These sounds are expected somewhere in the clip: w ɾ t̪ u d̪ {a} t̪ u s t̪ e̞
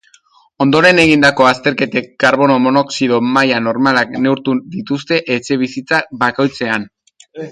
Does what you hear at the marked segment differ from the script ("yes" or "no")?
yes